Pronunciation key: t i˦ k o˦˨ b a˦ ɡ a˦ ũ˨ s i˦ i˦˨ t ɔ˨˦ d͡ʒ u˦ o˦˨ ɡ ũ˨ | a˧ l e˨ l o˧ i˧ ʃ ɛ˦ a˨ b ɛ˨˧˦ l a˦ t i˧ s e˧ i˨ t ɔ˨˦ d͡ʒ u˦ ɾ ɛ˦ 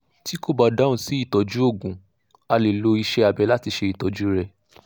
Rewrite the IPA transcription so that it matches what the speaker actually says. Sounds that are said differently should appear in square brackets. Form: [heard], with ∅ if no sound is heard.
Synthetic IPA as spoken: t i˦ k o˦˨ b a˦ [d] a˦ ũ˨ s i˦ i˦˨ t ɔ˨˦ d͡ʒ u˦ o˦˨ ɡ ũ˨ | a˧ l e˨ l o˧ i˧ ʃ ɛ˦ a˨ b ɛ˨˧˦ l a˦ t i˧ [ʃ] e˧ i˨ t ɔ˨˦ d͡ʒ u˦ ɾ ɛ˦